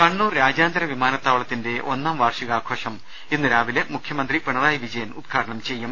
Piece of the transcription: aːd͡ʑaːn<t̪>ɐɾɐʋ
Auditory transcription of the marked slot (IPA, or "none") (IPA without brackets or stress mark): d̪